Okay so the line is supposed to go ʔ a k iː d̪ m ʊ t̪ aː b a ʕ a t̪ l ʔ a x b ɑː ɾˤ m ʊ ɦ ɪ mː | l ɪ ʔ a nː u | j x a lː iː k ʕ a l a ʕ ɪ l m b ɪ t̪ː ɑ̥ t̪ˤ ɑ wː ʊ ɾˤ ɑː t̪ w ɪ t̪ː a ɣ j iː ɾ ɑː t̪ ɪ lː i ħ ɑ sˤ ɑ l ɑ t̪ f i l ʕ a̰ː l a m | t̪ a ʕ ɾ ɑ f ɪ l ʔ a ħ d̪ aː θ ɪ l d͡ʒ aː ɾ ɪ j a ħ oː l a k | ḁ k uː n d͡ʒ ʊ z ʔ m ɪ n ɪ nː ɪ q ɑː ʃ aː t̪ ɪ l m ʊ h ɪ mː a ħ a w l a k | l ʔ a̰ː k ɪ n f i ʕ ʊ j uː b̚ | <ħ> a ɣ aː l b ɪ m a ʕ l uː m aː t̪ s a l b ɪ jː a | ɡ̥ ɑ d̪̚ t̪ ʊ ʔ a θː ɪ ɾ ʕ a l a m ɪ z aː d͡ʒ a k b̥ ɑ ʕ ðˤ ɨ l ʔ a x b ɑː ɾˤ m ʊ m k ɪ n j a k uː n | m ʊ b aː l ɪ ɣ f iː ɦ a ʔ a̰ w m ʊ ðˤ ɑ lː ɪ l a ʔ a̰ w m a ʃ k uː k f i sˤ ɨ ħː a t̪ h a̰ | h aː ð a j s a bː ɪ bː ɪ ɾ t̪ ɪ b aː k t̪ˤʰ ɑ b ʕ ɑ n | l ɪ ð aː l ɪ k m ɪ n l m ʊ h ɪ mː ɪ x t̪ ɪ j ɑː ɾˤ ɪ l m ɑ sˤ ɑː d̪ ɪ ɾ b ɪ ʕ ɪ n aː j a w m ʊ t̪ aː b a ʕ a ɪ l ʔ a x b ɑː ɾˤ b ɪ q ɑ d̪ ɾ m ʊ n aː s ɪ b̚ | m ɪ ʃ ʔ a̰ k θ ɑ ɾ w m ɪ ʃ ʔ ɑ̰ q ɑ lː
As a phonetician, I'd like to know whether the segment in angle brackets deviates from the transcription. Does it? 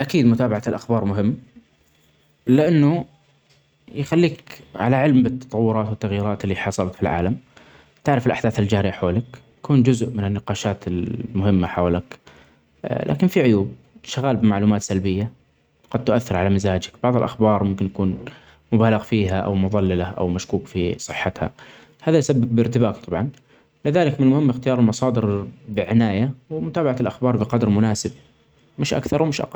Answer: yes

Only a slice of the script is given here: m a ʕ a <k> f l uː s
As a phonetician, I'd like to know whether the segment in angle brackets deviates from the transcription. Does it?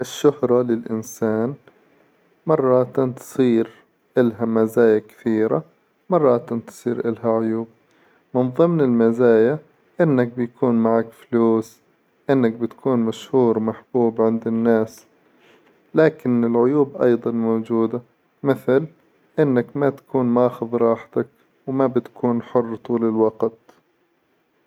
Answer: no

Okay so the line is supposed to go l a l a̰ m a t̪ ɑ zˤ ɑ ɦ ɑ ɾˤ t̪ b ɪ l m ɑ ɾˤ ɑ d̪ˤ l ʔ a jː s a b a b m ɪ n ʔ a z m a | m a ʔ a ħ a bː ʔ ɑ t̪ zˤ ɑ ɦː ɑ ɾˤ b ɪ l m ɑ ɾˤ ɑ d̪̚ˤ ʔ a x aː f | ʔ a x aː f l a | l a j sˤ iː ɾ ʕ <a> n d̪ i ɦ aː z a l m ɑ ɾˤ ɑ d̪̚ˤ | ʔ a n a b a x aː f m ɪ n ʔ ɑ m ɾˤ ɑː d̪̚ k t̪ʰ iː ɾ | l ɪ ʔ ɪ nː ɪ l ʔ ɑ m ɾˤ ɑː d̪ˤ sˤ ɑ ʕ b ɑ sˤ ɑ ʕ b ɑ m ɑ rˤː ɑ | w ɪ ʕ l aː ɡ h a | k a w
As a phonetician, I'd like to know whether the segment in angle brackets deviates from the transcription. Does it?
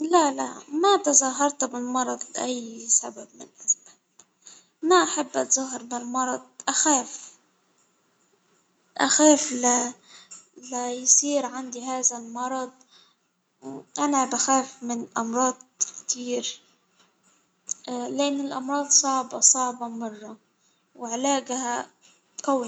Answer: no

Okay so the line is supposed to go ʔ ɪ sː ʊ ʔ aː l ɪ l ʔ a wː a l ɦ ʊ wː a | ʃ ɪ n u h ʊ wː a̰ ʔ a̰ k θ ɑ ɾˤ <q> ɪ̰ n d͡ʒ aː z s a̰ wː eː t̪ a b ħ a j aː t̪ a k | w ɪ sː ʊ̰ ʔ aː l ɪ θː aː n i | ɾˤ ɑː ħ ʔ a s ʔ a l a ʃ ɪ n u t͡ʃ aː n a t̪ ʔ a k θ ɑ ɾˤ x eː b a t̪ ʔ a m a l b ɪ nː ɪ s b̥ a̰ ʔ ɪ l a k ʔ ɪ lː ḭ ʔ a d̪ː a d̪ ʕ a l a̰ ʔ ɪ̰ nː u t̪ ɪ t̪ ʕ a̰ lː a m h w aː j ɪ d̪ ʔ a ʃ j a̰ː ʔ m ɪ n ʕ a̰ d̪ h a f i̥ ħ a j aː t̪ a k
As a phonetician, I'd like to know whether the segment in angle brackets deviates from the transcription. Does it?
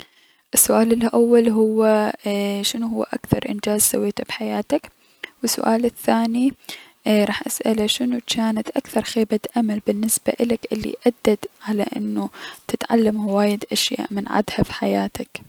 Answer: yes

